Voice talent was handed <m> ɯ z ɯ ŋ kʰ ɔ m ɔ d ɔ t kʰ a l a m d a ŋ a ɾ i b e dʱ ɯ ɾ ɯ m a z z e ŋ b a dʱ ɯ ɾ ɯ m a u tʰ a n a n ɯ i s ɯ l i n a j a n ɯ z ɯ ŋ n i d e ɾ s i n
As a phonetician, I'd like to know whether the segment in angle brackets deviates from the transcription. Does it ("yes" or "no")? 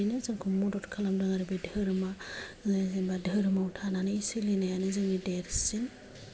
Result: yes